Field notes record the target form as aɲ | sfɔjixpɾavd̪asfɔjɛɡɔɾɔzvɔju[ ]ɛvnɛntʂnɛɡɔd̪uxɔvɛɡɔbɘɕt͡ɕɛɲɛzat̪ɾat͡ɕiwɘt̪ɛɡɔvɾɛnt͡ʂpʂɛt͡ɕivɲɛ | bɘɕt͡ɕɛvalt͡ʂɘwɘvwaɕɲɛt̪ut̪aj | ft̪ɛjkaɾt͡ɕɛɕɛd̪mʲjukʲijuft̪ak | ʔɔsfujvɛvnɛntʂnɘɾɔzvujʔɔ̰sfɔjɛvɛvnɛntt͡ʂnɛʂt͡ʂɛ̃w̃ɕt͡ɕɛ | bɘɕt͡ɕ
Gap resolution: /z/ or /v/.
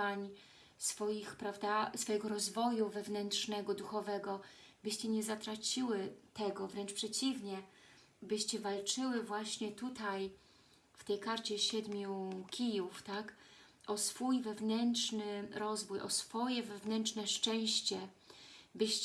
v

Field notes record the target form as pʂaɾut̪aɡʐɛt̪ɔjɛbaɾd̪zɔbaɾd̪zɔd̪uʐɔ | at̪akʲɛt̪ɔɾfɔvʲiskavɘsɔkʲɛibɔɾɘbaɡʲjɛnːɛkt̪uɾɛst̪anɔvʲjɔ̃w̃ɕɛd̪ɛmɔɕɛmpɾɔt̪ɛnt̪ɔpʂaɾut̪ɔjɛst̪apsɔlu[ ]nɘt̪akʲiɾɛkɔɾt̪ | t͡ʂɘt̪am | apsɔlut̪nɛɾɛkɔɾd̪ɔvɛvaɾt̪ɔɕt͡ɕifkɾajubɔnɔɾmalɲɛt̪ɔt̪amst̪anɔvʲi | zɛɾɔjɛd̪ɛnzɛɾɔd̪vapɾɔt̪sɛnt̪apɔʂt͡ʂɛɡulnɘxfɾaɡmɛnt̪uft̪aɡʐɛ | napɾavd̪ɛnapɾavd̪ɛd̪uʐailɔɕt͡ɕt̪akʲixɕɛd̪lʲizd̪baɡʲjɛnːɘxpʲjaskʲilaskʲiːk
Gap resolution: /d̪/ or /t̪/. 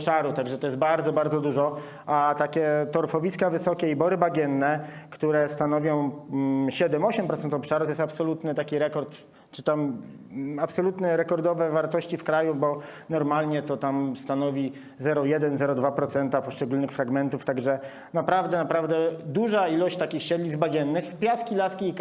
t̪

